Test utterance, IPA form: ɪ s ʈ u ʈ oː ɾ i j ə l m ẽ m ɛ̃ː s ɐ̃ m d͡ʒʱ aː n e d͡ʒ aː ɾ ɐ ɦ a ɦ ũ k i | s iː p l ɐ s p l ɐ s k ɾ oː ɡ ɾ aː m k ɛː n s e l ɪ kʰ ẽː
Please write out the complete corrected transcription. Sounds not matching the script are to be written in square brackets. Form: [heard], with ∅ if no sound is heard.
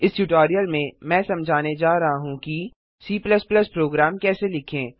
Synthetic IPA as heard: ɪ s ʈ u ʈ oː ɾ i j ə l m ẽ m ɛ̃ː s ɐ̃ m d͡ʒʱ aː n e d͡ʒ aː ɾ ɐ ɦ a ɦ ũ k i | s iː p l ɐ s p l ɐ s [p] ɾ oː ɡ ɾ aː m k ɛː [∅] s e l ɪ kʰ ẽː